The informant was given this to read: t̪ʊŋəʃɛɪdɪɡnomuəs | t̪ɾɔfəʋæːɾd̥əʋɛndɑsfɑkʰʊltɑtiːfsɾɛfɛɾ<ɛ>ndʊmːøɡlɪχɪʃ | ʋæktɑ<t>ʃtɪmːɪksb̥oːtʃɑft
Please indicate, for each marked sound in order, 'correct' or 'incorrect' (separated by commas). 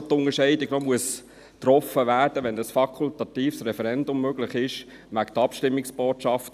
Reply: correct, incorrect